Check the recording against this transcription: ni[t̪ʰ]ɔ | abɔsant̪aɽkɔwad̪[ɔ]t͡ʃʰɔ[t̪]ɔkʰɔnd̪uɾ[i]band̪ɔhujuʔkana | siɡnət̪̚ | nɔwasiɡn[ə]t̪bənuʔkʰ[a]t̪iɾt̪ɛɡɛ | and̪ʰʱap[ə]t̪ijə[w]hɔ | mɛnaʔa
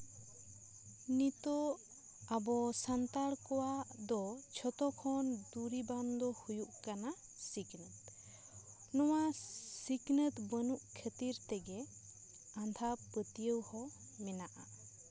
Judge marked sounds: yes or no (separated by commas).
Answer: no, yes, yes, yes, yes, no, yes, yes